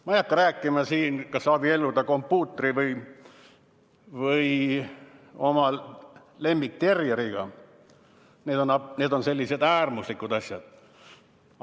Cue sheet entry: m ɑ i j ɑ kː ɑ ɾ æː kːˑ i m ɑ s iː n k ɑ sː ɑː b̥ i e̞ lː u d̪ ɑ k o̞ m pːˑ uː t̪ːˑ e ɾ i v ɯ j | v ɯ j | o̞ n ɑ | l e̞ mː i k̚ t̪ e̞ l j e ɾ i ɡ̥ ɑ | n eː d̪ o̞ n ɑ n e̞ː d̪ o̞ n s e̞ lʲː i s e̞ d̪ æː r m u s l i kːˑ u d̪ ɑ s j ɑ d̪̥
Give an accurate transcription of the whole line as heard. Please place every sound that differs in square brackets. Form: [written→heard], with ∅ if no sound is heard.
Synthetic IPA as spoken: m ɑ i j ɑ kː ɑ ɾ æː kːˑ i m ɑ s iː n k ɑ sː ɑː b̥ i e̞ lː u d̪ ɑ k o̞ m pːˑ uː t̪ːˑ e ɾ i v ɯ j | v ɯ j | o̞ [n→m] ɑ | l e̞ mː i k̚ t̪ e̞ [l→r] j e ɾ i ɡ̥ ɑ | n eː d̪ o̞ n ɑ n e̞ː d̪ o̞ n s e̞ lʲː i s e̞ d̪ æː r m u s l i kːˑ u d̪ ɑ s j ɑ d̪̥